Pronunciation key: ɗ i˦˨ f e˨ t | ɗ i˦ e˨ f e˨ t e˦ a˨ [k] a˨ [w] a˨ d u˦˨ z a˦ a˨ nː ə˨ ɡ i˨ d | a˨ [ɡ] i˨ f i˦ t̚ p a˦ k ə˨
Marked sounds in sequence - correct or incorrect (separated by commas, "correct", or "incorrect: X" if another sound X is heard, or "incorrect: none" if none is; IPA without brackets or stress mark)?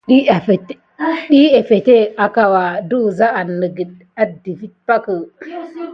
correct, correct, incorrect: d